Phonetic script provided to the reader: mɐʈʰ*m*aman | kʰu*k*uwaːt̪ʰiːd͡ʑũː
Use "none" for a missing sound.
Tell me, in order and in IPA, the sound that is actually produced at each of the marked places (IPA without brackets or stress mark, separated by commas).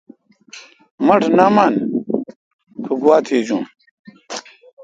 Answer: n, ɡ